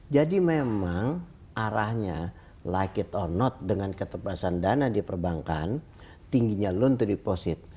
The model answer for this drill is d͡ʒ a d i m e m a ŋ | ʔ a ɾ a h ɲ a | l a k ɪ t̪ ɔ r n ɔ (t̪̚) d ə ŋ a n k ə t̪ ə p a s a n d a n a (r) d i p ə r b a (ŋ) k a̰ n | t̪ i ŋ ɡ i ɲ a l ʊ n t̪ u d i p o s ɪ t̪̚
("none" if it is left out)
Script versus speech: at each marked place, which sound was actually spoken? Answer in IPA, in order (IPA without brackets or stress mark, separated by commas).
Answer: t̪̚, none, ŋ